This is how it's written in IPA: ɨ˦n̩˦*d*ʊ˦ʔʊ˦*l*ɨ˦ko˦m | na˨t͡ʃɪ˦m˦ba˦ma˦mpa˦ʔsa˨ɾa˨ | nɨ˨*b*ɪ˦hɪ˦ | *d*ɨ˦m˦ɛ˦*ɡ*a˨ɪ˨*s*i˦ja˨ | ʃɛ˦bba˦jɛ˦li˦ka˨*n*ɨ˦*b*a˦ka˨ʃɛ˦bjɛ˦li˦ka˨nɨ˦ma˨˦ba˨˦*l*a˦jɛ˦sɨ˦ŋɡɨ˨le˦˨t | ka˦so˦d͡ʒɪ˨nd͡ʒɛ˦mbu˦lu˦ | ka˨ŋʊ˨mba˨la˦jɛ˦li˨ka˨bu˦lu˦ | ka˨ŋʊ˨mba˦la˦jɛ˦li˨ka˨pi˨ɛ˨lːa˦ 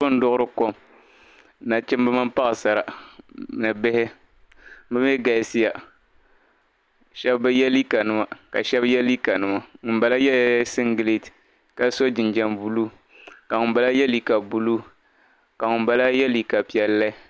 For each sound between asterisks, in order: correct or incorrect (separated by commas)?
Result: correct, incorrect, correct, incorrect, correct, correct, correct, incorrect, correct